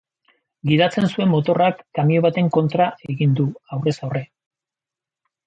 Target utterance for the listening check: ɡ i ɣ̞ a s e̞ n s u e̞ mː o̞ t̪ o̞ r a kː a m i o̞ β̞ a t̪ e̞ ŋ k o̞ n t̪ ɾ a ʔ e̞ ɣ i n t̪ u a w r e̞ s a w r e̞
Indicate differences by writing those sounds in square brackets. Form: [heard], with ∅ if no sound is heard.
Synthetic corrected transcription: ɡ i [ð̞] a [t͡s] e̞ n s u e̞ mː o̞ t̪ o̞ r a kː a m i o̞ β̞ a t̪ e̞ ŋ k o̞ n t̪ ɾ a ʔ e̞ ɣ i n [d̪] u a w r e̞ s a w r e̞